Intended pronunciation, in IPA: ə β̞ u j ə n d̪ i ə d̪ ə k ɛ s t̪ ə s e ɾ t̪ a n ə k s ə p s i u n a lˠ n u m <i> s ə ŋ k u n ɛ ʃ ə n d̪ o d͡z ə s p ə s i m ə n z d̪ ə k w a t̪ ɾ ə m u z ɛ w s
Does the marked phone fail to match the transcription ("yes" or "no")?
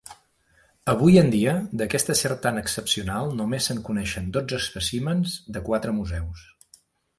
yes